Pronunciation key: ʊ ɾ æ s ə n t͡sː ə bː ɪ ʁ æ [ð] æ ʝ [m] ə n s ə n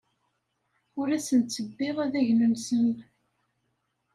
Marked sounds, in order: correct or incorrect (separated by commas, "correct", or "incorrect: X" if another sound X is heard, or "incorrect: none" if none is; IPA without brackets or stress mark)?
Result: correct, incorrect: n